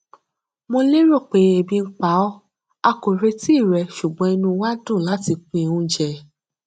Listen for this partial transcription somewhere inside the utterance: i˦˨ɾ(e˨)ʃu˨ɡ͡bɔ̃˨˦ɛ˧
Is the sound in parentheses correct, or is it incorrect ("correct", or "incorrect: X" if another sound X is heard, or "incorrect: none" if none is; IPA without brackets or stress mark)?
incorrect: ɛ˨